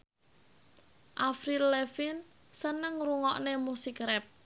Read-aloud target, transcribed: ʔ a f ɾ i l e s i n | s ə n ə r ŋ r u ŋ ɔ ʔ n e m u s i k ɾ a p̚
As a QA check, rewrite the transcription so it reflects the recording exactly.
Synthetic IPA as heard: ʔ a f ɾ i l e f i n | s ə n ə ŋ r u ŋ ɔ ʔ n e m u s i k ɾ ɛ p̚

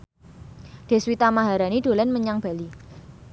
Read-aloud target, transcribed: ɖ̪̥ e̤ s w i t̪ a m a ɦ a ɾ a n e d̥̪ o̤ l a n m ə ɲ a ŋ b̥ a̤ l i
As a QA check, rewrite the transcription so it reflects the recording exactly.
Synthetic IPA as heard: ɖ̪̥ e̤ s w i t̪ a m a ɦ a ɾ a n i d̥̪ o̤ l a n m ə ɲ a ŋ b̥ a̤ l i

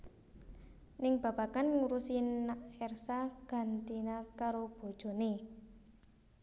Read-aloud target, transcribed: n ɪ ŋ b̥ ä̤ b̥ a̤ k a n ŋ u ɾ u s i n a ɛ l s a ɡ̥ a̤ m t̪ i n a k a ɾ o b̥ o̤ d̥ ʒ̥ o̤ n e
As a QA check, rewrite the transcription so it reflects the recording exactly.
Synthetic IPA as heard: n ɪ ŋ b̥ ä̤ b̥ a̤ k a n ŋ u ɾ u s i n a ɛ r s a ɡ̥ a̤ n t̪ i n a k a ɾ o b̥ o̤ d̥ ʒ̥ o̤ n e

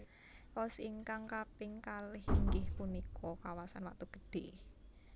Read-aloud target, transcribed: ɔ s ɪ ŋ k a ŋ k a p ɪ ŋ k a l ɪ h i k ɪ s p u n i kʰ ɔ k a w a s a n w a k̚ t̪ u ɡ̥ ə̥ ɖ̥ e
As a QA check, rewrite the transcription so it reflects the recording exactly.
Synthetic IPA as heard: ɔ s i ŋ k a ŋ k a p ɪ ŋ k a l ɪ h i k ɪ h p u n i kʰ ɔ k a w a s a n w a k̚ t̪ u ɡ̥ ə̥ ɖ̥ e

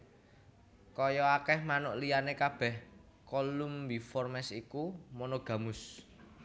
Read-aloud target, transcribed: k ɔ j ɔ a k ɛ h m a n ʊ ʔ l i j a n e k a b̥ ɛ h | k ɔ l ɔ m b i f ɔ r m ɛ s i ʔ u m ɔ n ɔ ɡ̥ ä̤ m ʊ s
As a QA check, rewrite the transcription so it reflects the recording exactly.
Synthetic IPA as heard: k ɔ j ɔ a k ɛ h m a n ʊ ʔ l i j a n e k a b̥ ɛ h | k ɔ l u m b i f ɔ r m ɛ s i k u m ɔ n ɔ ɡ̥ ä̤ m ʊ s

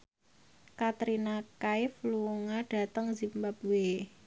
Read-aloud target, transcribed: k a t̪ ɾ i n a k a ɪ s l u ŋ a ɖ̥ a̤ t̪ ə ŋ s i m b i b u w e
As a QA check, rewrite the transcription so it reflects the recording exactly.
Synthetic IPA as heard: k a t̪ ɾ i n a k a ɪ f l u ŋ a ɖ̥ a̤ t̪ ə ŋ z i m b a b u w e

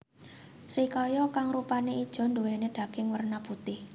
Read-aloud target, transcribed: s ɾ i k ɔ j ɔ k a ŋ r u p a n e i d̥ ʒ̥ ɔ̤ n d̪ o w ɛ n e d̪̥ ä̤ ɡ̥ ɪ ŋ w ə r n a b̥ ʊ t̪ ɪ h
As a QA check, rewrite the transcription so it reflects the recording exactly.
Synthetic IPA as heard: s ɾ i k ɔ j ɔ k a ŋ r u p a n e i d̥ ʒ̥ ɔ̤ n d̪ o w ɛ n e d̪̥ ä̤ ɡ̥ ɪ ŋ w ə r n a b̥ u t̪ ɪ h

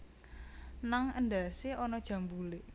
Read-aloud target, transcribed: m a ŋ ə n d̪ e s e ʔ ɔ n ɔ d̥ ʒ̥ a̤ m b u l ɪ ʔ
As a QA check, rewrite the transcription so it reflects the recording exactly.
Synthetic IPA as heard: n a ŋ ə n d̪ a s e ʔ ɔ n ɔ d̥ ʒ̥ a̤ m b u l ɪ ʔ

